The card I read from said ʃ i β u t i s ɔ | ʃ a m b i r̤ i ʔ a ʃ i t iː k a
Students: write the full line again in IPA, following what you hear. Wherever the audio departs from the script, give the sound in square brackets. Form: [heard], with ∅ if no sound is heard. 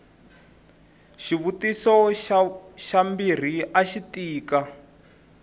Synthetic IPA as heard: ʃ i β u t i s ɔ | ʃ a m b i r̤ i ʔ a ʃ i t iː k a